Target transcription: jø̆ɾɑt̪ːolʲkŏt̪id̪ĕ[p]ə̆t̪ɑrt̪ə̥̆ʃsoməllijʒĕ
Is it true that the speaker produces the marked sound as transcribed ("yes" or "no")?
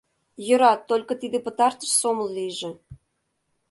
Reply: yes